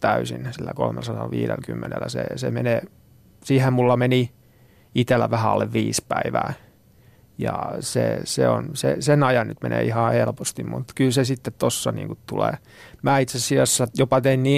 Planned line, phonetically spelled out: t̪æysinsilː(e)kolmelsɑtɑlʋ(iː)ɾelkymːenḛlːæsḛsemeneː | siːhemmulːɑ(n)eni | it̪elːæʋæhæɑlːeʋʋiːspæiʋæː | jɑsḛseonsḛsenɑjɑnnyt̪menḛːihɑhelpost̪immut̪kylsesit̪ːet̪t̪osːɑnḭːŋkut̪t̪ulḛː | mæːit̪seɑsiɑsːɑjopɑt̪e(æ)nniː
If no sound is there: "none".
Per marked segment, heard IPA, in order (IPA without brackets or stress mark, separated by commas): æ, iː, m, i